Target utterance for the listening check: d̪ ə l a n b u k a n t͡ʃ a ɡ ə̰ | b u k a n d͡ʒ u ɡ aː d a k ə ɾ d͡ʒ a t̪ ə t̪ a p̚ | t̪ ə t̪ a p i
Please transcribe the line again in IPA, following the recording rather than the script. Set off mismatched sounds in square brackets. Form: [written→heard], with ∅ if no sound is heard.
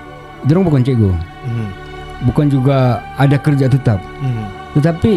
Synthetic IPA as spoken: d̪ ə [l→ɾ] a [n→ŋ] b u k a n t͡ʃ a ɡ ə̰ | b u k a n d͡ʒ u ɡ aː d a k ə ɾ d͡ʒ a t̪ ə t̪ a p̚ | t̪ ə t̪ a p i